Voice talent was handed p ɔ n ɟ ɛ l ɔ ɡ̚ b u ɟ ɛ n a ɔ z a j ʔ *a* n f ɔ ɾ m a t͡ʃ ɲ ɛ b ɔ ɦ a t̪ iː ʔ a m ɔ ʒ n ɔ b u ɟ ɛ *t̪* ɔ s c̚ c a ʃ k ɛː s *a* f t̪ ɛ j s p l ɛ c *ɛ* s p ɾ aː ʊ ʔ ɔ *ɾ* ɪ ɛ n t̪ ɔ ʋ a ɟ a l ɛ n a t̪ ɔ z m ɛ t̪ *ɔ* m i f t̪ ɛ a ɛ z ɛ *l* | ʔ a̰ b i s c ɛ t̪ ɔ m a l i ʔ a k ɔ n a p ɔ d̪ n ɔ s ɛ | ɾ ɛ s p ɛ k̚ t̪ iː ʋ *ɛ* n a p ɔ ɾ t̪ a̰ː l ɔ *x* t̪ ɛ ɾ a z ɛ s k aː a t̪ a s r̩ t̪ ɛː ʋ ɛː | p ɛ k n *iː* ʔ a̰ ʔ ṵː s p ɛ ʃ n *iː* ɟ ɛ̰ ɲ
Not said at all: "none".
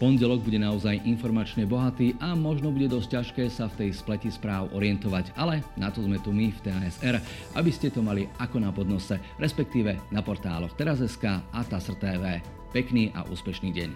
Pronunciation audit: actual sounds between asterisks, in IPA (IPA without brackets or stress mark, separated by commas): i, d̪, a, i, ɾ, u, ɾ, ɛ, x, iː, iː